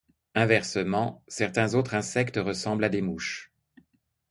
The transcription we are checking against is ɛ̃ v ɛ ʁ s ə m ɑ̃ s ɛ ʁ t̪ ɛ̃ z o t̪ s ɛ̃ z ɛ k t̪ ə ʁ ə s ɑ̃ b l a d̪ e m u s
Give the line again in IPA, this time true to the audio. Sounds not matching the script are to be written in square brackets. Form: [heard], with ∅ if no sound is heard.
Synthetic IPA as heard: ɛ̃ v ɛ ʁ s ə m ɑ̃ s ɛ ʁ t̪ ɛ̃ z o t̪ [χ] ɛ̃ [s] ɛ k t̪ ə ʁ ə s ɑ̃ b l a d̪ e m u [ʃ]